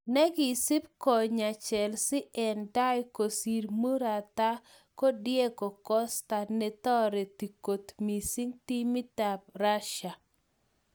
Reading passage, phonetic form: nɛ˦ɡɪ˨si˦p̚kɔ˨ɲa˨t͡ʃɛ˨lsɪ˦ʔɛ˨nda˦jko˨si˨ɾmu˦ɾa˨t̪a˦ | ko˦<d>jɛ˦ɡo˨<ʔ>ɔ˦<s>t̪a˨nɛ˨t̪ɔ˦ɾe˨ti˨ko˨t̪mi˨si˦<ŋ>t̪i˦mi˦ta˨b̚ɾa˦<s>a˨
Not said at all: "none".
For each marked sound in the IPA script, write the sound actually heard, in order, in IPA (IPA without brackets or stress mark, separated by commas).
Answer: d, k, s, ŋ, ʃ